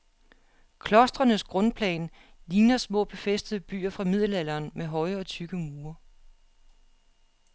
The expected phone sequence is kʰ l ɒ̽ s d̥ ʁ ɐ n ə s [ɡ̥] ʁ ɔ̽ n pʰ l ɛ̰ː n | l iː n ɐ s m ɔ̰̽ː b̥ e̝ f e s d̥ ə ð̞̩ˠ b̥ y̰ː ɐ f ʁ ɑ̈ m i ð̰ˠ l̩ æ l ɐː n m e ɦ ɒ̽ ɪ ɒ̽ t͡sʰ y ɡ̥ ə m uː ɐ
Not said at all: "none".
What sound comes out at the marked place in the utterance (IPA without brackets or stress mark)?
ɡ̥